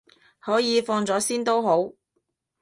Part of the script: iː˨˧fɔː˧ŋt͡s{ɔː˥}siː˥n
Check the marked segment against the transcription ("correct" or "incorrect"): incorrect